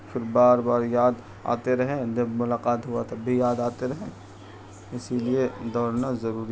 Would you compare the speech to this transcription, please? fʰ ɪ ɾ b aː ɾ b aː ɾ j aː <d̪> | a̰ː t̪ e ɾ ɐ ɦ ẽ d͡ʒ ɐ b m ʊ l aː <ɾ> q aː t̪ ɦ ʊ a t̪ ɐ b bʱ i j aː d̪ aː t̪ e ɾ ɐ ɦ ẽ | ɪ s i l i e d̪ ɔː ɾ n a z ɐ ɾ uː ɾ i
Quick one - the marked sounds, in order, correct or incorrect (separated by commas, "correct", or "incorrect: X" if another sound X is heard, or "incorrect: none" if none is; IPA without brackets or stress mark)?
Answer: correct, incorrect: none